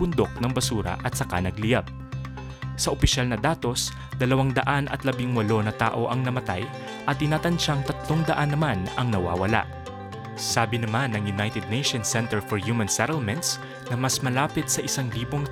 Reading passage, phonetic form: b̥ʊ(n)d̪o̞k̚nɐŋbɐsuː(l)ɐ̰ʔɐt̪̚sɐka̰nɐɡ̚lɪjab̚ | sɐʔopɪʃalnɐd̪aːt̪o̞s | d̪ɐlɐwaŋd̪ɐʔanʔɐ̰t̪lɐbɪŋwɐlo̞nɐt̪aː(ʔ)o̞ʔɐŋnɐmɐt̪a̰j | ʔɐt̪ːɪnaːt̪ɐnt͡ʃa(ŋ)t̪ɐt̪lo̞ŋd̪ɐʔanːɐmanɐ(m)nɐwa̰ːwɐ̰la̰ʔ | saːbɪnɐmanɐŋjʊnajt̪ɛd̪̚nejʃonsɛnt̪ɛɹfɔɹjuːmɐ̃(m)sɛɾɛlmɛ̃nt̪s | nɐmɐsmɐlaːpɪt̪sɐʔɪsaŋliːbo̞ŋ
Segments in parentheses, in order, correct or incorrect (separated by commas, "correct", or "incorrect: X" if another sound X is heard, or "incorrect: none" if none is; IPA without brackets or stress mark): correct, incorrect: ɾ, correct, correct, incorrect: ŋ, incorrect: n